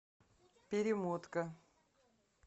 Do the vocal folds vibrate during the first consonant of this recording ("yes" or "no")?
no